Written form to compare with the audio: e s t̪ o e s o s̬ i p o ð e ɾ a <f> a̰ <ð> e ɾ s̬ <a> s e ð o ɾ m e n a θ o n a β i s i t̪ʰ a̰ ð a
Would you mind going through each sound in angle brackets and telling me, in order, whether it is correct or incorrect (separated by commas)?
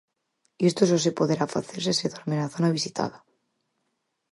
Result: correct, incorrect, incorrect